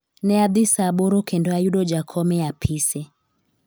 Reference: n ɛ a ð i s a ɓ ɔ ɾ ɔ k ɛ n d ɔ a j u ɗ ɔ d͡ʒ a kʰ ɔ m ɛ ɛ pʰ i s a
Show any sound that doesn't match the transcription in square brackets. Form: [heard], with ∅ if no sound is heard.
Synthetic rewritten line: n ɛ a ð i s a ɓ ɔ ɾ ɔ k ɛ n d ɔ a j u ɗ ɔ d͡ʒ a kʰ ɔ m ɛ [a] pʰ i s [ɛ]

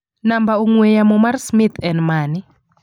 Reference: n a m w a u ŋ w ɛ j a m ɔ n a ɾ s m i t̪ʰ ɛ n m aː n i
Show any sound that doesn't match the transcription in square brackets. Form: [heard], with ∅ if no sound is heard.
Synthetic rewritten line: n a m [b] a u ŋ w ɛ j a m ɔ [m] a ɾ s m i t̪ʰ ɛ n m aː n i

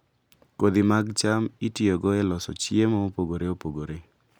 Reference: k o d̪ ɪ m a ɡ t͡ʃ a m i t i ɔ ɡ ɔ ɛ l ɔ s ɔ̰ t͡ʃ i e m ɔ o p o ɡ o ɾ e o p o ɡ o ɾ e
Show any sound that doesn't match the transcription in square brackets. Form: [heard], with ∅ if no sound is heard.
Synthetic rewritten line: k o d̪ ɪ m a ɡ t͡ʃ a m i t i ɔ ɡ ɔ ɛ l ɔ s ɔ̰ t͡ʃ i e m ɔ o p o ɡ o ɾ e o p o ɡ o ɾ e

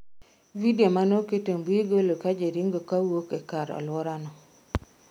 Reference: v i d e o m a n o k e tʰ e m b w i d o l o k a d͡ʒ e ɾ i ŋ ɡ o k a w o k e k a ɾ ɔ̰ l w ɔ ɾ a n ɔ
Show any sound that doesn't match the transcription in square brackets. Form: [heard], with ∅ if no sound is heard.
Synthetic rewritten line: v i d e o m a n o k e [t] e m b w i [ɡ] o l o k a d͡ʒ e ɾ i ŋ ɡ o k a w o k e k a ɾ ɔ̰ l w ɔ ɾ a n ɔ

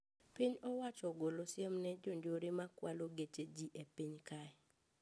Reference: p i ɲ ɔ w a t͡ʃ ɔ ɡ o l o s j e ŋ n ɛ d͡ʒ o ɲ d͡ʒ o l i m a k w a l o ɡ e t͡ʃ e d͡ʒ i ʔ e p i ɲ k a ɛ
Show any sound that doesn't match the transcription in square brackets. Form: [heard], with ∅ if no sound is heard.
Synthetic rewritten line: p i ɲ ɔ w a t͡ʃ ɔ ɡ o l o s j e [m] n ɛ d͡ʒ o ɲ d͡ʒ o [ɾ] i m a k w a l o ɡ e t͡ʃ e d͡ʒ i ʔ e p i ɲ k a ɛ

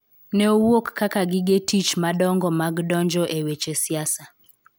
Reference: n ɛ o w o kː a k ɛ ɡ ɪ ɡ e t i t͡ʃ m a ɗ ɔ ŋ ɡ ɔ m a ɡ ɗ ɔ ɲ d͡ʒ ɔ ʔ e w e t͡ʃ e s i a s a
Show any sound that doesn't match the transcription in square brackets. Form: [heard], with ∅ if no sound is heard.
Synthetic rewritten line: n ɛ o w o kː a k [a] ɡ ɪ ɡ e t i t͡ʃ m a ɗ ɔ ŋ ɡ ɔ m a ɡ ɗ ɔ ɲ d͡ʒ ɔ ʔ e w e t͡ʃ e s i a s a

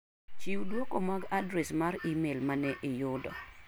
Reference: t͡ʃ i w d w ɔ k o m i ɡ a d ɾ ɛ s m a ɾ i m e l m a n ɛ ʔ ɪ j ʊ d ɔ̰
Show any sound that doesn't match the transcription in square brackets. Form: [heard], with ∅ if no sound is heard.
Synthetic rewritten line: t͡ʃ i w d w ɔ k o m [a] ɡ a d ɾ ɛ s m a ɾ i m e l m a n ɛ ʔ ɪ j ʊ d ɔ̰

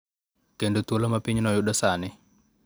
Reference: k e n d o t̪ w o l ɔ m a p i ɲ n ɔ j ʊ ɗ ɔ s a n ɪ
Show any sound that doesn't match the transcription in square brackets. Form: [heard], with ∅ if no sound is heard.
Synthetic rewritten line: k e n d o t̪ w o l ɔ m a p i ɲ n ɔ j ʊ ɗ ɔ s a n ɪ

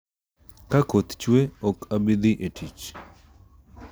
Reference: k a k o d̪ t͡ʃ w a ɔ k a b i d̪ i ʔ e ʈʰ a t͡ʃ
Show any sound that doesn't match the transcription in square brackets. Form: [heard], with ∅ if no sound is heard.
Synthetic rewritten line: k a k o [t̪] t͡ʃ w [e] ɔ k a b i d̪ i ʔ e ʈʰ [i] t͡ʃ

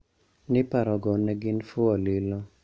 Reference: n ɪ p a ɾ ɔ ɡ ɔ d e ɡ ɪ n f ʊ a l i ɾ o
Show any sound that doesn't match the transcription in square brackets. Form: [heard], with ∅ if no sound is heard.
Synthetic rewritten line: n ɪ p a ɾ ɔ ɡ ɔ [n] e ɡ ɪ n f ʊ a l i [l] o

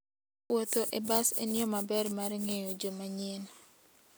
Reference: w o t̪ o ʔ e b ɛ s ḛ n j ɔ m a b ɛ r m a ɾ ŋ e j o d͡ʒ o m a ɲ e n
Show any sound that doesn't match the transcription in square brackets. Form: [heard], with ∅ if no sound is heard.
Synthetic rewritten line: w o t̪ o ʔ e b [a] s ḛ n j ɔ m a b ɛ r m a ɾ ŋ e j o d͡ʒ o m a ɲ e n

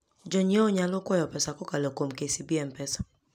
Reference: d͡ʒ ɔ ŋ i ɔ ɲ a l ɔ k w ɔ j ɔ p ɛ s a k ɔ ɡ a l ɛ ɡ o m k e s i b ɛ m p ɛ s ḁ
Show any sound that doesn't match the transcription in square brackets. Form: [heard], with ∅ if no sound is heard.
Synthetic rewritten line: d͡ʒ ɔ [ɲ] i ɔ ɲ a l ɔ k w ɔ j ɔ p ɛ s a k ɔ [k] a l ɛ [k] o m k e s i b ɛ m p ɛ s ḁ

